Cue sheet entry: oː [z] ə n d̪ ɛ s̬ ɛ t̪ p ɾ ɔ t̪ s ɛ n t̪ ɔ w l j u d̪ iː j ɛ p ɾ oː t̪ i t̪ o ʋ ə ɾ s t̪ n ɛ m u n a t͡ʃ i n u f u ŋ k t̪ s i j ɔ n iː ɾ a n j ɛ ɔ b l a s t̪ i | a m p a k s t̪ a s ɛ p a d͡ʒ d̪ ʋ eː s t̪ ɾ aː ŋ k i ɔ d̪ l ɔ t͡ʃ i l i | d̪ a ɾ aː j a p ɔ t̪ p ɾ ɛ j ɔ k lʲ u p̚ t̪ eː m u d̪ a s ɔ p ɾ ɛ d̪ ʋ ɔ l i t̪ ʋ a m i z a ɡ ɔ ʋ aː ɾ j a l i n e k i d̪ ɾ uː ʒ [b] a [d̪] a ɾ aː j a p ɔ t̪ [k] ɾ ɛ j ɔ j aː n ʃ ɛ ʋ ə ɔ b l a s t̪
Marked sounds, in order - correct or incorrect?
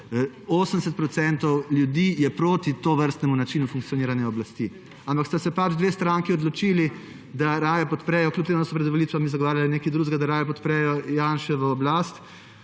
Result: incorrect: s, incorrect: ɡ, correct, incorrect: p

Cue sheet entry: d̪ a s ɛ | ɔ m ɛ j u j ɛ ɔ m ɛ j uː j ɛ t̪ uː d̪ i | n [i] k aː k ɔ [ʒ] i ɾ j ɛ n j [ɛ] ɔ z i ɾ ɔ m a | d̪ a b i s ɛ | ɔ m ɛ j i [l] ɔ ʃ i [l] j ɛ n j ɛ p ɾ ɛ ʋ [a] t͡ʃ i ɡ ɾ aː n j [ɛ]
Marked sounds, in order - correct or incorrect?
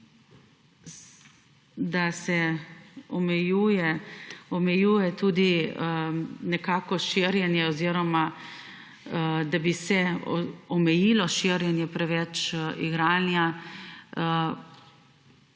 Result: incorrect: ɛ, incorrect: ʃ, correct, correct, incorrect: ɾ, incorrect: ɛ, incorrect: a

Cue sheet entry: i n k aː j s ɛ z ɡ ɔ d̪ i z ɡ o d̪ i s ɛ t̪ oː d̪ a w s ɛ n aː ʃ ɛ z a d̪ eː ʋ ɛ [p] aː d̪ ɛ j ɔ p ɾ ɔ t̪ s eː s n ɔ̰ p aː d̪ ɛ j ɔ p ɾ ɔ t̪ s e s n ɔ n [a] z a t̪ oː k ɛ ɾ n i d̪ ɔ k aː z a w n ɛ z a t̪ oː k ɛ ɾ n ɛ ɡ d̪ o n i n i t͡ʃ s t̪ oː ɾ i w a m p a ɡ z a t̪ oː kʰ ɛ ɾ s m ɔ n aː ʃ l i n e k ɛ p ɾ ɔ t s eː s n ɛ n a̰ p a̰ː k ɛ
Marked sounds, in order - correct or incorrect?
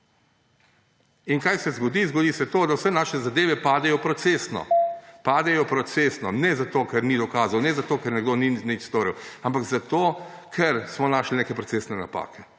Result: correct, incorrect: ɛ

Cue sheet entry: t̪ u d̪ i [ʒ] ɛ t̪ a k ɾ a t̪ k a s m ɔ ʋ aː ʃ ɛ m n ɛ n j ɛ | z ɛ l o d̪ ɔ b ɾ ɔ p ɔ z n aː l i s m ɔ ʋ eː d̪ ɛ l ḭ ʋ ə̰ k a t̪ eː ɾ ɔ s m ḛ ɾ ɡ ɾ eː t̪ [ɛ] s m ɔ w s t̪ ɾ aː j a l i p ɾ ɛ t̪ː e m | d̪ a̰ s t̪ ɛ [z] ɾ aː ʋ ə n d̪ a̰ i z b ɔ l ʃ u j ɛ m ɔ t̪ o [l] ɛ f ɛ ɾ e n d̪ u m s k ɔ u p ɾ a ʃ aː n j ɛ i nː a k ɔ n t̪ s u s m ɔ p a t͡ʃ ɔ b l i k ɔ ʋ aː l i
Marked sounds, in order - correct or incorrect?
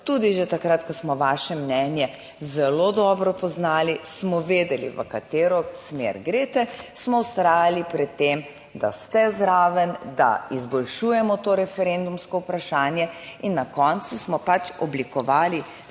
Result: correct, correct, correct, incorrect: ɾ

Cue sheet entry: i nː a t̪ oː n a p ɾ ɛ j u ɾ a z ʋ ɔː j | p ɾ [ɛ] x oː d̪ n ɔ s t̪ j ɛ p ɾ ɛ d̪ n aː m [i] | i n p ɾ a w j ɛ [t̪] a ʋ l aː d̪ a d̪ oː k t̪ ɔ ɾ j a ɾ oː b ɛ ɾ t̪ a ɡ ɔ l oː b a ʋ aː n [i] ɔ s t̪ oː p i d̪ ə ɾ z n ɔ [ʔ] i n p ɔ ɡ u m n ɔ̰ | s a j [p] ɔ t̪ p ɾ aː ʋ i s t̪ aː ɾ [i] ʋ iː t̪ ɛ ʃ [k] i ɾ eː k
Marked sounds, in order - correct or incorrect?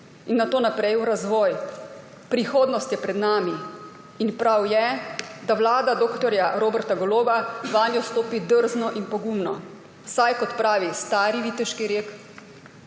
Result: incorrect: i, correct, incorrect: d̪, incorrect: j, correct, incorrect: k, correct, correct

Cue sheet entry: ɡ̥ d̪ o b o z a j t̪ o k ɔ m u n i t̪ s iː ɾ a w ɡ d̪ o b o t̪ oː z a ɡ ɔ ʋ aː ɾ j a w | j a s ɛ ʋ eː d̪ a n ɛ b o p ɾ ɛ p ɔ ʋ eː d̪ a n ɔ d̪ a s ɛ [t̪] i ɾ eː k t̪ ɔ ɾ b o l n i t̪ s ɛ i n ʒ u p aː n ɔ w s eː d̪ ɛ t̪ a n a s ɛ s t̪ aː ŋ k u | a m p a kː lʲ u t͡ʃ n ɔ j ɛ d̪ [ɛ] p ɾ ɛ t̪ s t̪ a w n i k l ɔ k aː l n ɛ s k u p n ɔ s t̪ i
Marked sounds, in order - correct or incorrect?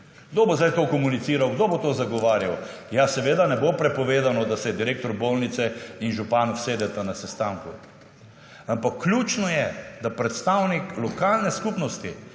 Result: incorrect: d̪, incorrect: a

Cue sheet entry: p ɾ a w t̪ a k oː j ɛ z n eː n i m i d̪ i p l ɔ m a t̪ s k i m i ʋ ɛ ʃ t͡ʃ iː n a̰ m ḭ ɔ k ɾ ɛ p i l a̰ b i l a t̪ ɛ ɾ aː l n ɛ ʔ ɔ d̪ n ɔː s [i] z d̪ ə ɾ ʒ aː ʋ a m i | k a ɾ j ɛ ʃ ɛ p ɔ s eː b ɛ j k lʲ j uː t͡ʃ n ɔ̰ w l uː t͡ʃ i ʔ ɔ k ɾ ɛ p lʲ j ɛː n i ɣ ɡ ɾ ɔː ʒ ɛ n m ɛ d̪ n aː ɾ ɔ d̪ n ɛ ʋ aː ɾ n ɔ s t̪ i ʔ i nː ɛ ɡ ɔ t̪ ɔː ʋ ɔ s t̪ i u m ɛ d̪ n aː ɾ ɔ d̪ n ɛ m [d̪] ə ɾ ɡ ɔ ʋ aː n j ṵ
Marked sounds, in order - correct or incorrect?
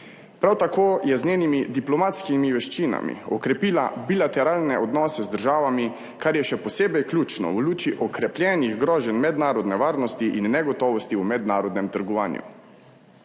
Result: incorrect: ɛ, incorrect: t̪

